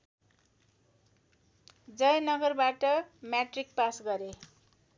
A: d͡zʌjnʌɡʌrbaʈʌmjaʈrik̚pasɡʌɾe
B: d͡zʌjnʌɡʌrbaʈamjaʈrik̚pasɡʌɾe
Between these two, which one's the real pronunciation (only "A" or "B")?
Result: A